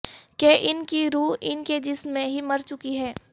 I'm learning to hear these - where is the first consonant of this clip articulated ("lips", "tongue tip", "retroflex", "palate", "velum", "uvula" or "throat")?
velum